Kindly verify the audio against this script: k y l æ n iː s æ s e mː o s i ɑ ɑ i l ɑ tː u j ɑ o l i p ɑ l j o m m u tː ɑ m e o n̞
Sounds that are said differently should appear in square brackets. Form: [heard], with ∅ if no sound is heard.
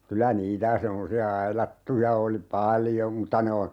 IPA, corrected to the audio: k y l æ n iː [t] æ s e mː o s i ɑ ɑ i l ɑ tː u j ɑ o l i p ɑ l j o m m u tː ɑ [n] e o n̞